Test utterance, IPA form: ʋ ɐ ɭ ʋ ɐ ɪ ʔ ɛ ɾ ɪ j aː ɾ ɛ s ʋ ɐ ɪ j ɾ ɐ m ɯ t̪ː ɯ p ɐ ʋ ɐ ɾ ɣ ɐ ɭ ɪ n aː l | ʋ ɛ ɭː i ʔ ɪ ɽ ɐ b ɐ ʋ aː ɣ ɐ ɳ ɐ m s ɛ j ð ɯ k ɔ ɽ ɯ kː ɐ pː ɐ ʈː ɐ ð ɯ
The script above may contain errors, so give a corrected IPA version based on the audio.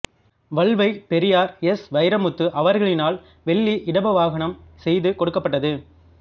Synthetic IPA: ʋ ɐ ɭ ʋ ɐ ɪ p ɛ ɾ ɪ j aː ɾ ɛ s ʋ ɐ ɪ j ɾ ɐ m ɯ t̪ː ɯ ʔ ɐ ʋ ɐ ɾ ɣ ɐ ɭ ɪ n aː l | ʋ ɛ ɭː i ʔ ɪ ɽ ɐ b ɐ ʋ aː ɣ ɐ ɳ ɐ m s ɛ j ð ɯ k ɔ ɽ ɯ kː ɐ pː ɐ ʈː ɐ ð ɯ